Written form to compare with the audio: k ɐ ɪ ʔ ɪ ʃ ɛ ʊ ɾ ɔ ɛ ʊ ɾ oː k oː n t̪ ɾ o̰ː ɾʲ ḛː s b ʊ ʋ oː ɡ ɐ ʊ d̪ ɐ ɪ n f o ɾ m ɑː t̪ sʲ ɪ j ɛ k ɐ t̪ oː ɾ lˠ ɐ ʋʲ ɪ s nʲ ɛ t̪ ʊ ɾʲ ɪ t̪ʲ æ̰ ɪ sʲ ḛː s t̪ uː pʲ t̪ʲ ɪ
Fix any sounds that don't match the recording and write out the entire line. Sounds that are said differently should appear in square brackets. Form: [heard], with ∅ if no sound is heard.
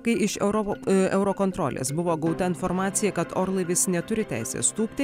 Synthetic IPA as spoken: k ɐ ɪ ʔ ɪ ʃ ɛ ʊ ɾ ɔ ɛ ʊ ɾ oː k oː n t̪ ɾ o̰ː [lʲ] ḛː s b ʊ ʋ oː ɡ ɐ ʊ [t̪] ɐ ɪ n f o ɾ m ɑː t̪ sʲ ɪ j ɛ k ɐ t̪ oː ɾ lˠ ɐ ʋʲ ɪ s nʲ ɛ t̪ ʊ ɾʲ ɪ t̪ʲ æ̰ ɪ sʲ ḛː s t̪ uː pʲ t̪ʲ ɪ